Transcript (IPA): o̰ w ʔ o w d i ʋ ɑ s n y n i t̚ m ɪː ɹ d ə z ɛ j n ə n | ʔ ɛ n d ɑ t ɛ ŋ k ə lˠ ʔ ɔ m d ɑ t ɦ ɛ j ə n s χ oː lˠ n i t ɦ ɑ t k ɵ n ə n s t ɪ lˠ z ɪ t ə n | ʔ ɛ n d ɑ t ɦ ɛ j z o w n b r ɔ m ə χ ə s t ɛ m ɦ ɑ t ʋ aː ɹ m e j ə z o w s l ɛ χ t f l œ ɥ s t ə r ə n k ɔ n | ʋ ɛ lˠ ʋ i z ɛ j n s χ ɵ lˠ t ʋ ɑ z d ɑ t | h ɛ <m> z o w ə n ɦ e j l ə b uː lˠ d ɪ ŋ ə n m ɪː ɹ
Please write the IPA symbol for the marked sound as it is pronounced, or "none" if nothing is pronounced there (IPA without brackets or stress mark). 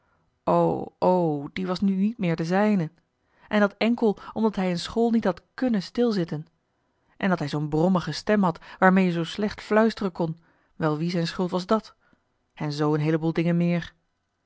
n